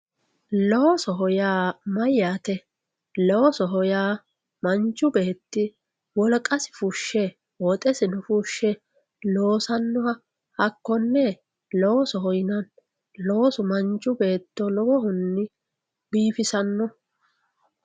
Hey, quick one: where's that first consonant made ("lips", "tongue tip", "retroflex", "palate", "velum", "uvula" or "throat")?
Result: tongue tip